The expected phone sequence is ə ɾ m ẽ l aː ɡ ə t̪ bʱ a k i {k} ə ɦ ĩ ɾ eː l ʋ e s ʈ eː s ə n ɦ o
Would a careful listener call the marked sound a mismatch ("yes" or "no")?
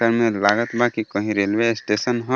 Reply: no